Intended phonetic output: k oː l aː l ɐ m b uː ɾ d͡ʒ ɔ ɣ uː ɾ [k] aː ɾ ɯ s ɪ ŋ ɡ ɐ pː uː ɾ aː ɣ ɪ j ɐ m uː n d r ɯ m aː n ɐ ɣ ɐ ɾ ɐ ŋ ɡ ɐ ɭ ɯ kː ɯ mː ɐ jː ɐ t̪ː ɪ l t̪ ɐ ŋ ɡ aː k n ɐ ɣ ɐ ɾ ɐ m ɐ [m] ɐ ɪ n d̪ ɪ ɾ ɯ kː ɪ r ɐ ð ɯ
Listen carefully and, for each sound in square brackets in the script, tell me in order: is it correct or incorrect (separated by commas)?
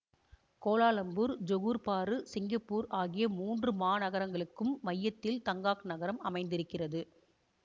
incorrect, correct